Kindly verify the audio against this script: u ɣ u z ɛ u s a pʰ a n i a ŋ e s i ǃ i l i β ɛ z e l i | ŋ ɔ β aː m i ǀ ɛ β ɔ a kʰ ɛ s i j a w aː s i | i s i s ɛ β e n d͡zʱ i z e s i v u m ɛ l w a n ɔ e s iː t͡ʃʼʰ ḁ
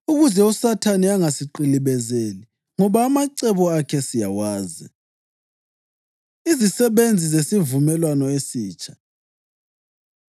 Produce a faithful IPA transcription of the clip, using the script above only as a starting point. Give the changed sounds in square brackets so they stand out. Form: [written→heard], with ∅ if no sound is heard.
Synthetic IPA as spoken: u ɣ u z ɛ u s a [pʰ→tʰ] a n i a ŋ [e→a] s i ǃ i l i β ɛ z e l i | ŋ ɔ β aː m [i→a] ǀ ɛ β ɔ a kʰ ɛ s i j a w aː [s→z] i | i [s→z] i s ɛ β e n d͡zʱ i z e s i v u m ɛ l w a n ɔ e s iː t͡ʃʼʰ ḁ